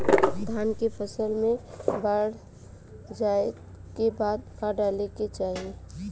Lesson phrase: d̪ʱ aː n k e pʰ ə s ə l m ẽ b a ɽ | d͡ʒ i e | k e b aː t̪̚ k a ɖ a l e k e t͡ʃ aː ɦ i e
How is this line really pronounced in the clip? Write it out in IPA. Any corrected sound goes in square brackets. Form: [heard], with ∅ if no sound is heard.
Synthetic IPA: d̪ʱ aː n k e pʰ ə s ə l m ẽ b a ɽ | d͡ʒ [a] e | k e b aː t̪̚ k a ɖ a l e k e t͡ʃ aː ɦ i e